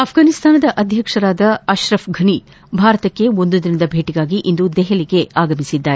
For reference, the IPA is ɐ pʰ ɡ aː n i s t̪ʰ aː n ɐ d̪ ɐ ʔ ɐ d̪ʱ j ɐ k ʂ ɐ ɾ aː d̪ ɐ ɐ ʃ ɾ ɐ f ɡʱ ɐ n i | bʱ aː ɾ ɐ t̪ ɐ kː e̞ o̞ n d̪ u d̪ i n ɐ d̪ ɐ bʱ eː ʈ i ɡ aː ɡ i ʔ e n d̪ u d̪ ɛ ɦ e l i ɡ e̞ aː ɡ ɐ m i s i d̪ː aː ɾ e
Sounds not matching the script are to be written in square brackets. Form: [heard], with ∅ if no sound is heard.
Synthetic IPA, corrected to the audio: ɐ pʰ ɡ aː n i s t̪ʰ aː n ɐ d̪ ɐ ʔ ɐ d̪ʱ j ɐ k ʂ ɐ ɾ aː d̪ ɐ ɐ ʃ ɾ ɐ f ɡʱ ɐ n i | bʱ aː ɾ ɐ t̪ ɐ kː e̞ o̞ n d̪ u d̪ i n ɐ d̪ ɐ bʱ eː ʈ i ɡ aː ɡ i ʔ [i] n d̪ u d̪ ɛ ɦ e l i ɡ e̞ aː ɡ ɐ m i s i d̪ː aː ɾ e